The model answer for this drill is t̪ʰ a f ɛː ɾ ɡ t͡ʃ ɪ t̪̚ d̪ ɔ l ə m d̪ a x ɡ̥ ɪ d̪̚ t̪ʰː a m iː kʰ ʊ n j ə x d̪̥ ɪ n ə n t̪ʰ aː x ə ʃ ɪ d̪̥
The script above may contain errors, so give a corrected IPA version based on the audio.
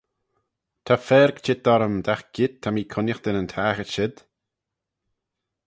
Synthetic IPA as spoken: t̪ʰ a f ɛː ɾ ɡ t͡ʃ ɪ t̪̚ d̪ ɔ ɾ ə m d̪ a x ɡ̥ ɪ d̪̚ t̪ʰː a m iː kʰ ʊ n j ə x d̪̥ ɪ n ə n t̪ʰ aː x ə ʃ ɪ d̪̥